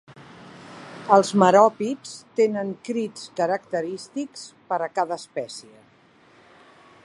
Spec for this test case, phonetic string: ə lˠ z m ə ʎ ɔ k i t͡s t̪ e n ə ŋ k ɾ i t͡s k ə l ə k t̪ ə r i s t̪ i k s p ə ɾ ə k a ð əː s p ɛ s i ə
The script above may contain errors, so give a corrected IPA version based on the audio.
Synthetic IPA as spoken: ə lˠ z m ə ɾ ɔ p i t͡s t̪ e n ə ŋ k ɾ i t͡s k ə ɾ ə k t̪ ə ɾ i s t̪ i k s p ə ɾ ə k a ð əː s p ɛ s i ə